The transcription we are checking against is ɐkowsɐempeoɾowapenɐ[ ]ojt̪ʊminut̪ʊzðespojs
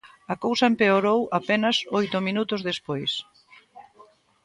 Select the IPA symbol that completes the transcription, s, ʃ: s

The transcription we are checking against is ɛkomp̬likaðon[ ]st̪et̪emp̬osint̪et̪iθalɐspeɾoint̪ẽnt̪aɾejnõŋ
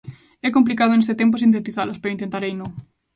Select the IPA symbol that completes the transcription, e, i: e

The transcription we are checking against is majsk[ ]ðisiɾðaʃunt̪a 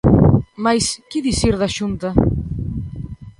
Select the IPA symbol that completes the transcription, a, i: i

